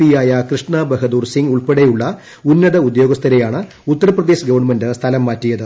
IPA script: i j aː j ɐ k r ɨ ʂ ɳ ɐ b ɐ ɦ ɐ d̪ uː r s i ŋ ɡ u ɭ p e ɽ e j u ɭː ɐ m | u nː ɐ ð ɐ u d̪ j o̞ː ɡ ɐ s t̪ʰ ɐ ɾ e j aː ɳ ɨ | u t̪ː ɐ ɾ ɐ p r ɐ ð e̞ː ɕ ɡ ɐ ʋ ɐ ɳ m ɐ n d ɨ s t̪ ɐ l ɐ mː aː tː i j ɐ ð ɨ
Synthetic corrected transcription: i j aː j ɐ k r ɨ ʂ ɳ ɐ b ɐ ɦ ɐ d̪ uː r s i ŋ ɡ u ɭ p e ɽ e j u ɭː ɐ | u nː ɐ ð ɐ u d̪ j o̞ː ɡ ɐ s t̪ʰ ɐ ɾ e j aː ɳ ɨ | u t̪ː ɐ ɾ ɐ p r ɐ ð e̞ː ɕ ɡ ɐ ʋ ɐ ɳ m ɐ n d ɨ s t̪ʰ ɐ l ɐ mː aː tː i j ɐ ð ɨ

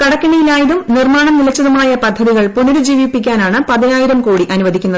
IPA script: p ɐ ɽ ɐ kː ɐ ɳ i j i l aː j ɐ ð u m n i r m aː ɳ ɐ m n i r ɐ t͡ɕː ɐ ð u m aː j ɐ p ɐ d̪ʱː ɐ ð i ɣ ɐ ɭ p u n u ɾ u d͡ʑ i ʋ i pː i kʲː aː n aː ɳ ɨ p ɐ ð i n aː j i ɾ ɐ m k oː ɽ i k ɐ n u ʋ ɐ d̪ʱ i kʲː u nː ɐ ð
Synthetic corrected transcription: k ɐ ɽ ɐ kː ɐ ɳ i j i l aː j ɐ ð u m n i r m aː ɳ ɐ m n i l ɐ t͡ɕː ɐ ð u m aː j ɐ p ɐ d̪ʱː ɐ ð i ɣ ɐ ɭ p u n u ɾ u d͡ʑ iː ʋ i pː i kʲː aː n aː ɳ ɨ p ɐ ð i n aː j i ɾ ɐ m k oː ɽ i ʔ ɐ n u ʋ ɐ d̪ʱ i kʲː u nː ɐ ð

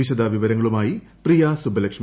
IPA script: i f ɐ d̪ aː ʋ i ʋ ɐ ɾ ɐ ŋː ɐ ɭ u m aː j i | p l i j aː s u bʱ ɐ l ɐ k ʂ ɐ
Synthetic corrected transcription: i ɕ ɐ d̪ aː ʋ i ʋ ɐ ɾ ɐ ŋː ɐ ɭ u m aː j i | p r i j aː s u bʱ ɐ l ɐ k ʂ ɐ

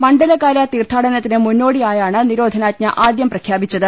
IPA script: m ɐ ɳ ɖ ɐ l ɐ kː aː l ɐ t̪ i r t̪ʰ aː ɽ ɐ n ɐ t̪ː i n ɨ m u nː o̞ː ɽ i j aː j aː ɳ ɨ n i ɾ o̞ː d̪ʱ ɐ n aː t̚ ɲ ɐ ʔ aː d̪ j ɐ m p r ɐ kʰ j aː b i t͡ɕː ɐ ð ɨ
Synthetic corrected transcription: m ɐ ɳ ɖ ɐ l ɐ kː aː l ɐ t̪ iː r t̪ʰ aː ɽ ɐ n ɐ t̪ː i n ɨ m u nː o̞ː ɽ i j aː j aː ɳ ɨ n i ɾ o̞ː d̪ʱ ɐ n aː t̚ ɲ ɐ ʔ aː d̪ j ɐ m p r ɐ kʰ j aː b i t͡ɕː ɐ ð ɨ

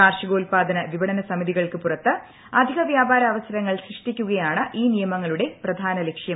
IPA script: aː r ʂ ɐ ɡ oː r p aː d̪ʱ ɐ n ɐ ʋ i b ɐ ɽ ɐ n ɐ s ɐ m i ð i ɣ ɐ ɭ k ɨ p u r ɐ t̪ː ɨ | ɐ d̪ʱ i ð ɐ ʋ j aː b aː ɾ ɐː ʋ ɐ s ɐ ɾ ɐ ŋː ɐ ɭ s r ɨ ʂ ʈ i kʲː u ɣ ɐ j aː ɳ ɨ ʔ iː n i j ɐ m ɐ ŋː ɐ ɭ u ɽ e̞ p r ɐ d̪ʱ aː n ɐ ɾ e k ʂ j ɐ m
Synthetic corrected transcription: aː r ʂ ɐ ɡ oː l p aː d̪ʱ ɐ n ɐ ʋ i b ɐ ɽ ɐ n ɐ s ɐ m i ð i ɣ ɐ ɭ k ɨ p u r ɐ t̪ː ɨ | ɐ d̪ʱ i ɣ ɐ ʋ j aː b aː ɾ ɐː ʋ ɐ s ɐ ɾ ɐ ŋː ɐ ɭ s r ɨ ʂ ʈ i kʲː u ɣ ɐ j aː ɳ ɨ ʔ iː n i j ɐ m ɐ ŋː ɐ ɭ u ɽ e̞ p r ɐ d̪ʱ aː n ɐ l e k ʂ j ɐ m

